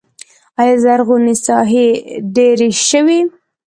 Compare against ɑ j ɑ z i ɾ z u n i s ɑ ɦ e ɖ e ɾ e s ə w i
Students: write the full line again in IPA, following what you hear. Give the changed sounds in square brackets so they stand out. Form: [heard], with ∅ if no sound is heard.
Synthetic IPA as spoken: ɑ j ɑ z [a] ɾ [ɣ] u n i s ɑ ɦ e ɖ e ɾ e [ʃ] ə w i